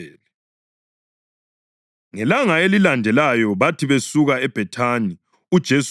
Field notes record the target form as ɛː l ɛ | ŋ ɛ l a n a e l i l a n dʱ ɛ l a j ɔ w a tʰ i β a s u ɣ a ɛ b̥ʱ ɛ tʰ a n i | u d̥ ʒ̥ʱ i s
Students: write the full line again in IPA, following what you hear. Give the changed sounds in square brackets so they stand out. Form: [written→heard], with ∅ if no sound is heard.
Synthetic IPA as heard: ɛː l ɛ | ŋ ɛ l a [n→ŋ] a e l i l a n dʱ ɛ l a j ɔ [w→β] a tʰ i β [a→e] s u ɣ a ɛ b̥ʱ ɛ tʰ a n i | u d̥ ʒ̥ʱ [i→e] s